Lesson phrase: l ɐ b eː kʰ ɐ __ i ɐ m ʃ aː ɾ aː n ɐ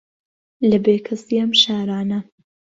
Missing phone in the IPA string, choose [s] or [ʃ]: s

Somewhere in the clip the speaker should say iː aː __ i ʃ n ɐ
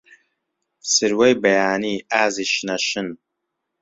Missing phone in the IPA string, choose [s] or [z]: z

